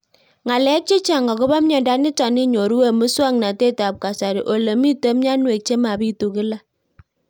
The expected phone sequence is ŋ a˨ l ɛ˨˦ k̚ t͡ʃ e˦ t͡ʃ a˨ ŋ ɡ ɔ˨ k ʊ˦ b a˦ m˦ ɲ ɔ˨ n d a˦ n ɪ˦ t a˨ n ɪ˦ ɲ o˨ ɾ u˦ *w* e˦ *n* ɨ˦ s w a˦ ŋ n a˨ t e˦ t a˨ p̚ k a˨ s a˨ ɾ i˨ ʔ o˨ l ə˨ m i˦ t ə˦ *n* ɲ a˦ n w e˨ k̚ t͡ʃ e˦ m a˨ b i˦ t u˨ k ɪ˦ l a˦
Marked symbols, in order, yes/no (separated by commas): yes, no, no